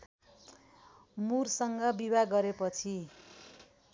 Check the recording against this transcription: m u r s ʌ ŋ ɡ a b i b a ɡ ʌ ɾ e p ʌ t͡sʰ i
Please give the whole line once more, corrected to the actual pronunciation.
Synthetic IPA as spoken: m u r s ʌ ŋ ɡ ʌ b i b a ɡ ʌ ɾ e p ʌ t͡sʰ i